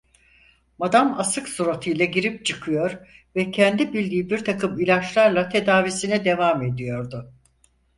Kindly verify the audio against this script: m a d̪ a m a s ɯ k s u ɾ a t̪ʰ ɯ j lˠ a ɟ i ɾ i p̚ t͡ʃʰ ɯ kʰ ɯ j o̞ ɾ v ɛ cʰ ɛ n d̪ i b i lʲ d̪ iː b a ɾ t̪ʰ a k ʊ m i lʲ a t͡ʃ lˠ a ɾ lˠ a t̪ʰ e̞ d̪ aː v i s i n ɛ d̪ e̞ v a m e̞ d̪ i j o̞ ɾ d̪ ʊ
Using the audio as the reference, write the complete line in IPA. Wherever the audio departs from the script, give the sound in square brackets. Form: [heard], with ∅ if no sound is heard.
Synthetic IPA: m a d̪ a m a s ɯ k s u ɾ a t̪ʰ ɯ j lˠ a ɟ i ɾ i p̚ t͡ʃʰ ɯ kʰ ɯ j o̞ ɾ v ɛ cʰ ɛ n d̪ i b i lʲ d̪ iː b [i] ɾ t̪ʰ a k [ɯ] m i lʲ a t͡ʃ lˠ a ɾ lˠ a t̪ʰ e̞ d̪ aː v i s i n ɛ d̪ e̞ v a m e̞ d̪ i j o̞ ɾ d̪ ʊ